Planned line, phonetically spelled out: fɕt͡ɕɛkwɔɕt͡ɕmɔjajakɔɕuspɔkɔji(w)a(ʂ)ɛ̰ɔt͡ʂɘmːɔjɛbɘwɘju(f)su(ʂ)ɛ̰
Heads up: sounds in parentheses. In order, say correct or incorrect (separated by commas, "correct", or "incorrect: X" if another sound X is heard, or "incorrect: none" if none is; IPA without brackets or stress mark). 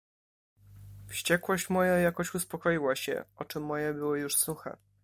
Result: correct, incorrect: ɕ, incorrect: ʂ, incorrect: x